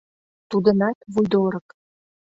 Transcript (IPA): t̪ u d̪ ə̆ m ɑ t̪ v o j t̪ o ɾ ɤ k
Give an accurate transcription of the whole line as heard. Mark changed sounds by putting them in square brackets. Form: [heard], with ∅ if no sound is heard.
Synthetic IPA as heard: t̪ u d̪ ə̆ [n] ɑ t̪ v [u] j [d̪] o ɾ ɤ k